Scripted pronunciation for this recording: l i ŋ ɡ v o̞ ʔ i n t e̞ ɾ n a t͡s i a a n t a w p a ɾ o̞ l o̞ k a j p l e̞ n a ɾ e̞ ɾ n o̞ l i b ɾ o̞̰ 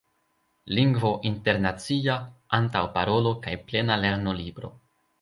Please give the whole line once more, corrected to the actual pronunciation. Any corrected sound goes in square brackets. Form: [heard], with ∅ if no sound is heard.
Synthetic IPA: l i ŋ ɡ v o̞ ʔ i n t e̞ ɾ n a t͡s i a a n t a w p a ɾ o̞ l o̞ k a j p l e̞ n a [l] e̞ ɾ n o̞ l i b ɾ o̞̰